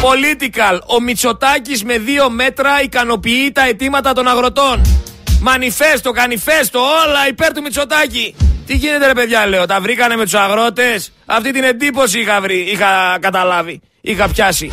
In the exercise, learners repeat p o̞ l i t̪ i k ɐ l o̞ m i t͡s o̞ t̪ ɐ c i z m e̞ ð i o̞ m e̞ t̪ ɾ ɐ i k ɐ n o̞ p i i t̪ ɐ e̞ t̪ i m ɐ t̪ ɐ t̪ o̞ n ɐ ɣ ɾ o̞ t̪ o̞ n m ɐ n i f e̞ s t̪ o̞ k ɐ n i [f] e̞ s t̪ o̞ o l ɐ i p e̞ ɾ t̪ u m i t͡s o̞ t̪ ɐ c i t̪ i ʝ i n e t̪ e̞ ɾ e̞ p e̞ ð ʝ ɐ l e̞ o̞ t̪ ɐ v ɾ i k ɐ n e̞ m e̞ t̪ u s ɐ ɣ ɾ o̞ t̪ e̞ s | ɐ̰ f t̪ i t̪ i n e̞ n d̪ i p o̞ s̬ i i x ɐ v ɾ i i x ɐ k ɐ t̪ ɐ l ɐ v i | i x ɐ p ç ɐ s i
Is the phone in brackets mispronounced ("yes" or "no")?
no